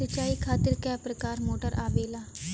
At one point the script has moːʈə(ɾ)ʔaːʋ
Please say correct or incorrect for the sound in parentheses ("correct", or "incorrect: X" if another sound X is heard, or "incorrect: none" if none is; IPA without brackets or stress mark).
correct